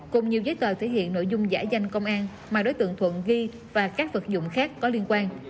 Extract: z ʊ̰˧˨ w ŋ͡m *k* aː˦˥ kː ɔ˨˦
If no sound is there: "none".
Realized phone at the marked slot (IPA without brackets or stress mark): x